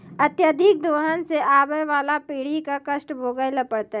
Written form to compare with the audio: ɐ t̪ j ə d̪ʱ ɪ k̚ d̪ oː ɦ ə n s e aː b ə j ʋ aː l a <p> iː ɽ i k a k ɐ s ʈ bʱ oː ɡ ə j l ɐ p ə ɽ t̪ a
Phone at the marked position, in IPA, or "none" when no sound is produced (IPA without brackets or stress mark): p